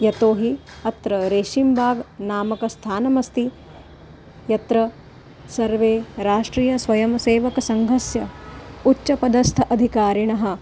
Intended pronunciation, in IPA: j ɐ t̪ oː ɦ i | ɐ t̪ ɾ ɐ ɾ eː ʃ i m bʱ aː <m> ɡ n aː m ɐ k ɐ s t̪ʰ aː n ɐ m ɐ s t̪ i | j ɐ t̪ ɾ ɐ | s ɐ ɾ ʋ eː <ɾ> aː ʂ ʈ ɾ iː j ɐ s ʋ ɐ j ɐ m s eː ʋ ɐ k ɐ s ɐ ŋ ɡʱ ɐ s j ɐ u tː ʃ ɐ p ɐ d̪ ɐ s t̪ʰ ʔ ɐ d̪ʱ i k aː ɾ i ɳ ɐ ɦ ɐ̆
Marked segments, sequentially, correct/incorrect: incorrect: none, correct

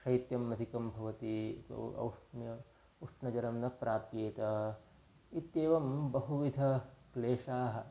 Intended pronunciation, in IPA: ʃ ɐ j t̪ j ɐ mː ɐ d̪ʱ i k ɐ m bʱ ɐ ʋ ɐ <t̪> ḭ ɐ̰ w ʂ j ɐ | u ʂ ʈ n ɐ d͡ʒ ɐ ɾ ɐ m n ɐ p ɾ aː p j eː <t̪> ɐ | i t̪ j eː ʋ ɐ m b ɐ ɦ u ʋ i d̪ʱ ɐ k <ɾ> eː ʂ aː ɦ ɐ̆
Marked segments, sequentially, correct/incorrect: correct, correct, incorrect: l

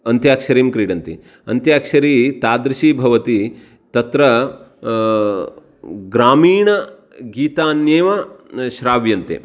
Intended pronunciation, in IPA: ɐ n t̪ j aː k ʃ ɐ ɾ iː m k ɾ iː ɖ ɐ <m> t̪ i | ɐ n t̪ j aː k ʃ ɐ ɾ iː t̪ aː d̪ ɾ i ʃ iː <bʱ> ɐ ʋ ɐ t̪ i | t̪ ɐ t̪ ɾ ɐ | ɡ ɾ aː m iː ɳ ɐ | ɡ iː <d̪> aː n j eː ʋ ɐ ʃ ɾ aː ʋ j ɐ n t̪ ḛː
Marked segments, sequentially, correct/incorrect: incorrect: n, correct, incorrect: t̪

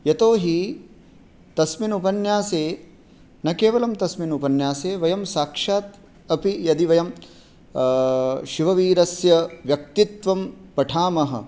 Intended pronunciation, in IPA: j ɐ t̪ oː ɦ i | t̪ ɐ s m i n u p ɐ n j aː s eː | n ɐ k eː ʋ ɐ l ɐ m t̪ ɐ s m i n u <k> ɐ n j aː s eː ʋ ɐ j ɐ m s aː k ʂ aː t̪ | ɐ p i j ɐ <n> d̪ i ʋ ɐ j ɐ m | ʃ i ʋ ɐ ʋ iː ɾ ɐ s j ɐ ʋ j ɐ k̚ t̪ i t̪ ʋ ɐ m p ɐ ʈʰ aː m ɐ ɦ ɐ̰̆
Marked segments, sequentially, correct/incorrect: incorrect: p, incorrect: none

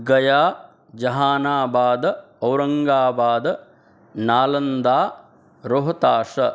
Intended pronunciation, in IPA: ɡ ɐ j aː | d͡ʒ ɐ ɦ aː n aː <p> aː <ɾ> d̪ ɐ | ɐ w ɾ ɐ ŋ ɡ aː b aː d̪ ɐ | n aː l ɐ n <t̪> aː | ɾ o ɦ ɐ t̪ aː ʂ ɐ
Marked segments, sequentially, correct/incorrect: incorrect: b, incorrect: none, incorrect: d̪

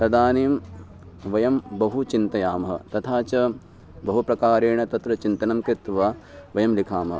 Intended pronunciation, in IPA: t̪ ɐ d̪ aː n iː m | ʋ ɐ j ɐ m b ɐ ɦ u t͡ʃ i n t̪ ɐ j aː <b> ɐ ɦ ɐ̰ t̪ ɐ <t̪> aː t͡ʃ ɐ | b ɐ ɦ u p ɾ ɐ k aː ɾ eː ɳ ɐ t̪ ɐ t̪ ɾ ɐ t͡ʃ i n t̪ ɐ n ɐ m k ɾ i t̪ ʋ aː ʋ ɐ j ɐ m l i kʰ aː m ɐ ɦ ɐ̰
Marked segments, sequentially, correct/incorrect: incorrect: m, incorrect: t̪ʰ

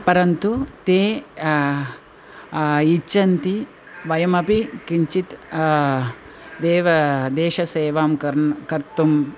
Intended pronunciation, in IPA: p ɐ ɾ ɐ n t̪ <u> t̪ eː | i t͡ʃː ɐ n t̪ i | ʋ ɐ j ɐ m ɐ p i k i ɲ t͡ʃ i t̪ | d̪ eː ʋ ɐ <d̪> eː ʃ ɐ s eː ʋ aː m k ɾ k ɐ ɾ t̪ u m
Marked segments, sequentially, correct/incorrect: correct, correct

